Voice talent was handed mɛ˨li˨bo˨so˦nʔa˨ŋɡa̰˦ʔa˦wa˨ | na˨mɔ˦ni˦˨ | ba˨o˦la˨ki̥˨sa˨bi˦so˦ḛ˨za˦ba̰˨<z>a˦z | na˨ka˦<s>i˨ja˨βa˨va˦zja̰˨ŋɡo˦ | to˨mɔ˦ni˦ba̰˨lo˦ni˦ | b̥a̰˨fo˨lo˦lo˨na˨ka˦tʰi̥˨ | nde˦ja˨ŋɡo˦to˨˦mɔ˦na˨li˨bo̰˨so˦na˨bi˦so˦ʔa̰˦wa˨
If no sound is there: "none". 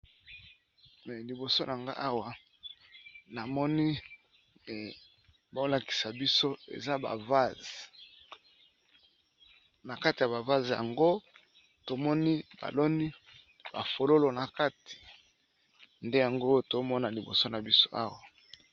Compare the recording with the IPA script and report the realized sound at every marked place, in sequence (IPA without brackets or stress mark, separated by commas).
v, t